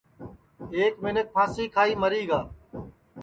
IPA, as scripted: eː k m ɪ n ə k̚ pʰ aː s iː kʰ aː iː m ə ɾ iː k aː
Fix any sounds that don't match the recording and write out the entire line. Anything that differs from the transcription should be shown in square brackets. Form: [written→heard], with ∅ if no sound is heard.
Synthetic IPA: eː k m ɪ n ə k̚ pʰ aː s iː kʰ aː iː m ə ɾ iː [k→ɡ] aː